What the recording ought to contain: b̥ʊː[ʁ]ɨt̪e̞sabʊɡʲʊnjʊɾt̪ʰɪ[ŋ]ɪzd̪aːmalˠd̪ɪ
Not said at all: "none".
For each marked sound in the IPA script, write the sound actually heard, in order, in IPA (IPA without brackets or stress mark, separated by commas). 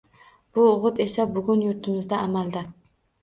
ʁ, m